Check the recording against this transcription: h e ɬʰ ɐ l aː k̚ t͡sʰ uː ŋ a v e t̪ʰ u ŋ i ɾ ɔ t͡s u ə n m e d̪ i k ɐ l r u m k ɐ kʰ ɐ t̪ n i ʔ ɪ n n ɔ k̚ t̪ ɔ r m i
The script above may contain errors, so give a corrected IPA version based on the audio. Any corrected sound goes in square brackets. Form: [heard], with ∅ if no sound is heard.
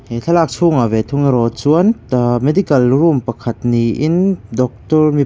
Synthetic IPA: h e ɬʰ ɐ l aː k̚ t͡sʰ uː ŋ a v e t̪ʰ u ŋ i ɾ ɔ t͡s u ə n m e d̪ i k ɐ l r u m [p] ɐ kʰ ɐ t̪ n i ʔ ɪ n [d] ɔ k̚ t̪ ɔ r m i